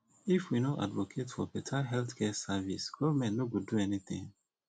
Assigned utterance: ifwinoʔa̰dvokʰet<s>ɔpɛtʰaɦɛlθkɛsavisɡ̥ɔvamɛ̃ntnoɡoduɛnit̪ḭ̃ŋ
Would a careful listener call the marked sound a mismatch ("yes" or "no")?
yes